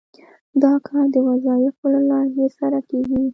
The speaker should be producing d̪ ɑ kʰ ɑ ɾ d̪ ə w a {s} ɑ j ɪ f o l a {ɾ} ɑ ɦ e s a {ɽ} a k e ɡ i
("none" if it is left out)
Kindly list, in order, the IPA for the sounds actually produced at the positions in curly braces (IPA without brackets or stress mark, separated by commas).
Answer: z, l, ɾ